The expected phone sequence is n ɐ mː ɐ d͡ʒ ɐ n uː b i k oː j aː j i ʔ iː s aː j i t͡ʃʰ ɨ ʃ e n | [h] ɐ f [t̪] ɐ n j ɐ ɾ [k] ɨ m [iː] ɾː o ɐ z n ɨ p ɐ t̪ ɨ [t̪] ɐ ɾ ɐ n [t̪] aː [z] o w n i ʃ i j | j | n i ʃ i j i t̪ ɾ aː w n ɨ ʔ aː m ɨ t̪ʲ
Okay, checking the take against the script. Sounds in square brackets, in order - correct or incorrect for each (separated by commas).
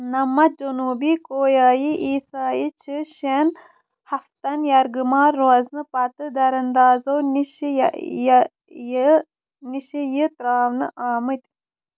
correct, correct, incorrect, incorrect, incorrect, incorrect, correct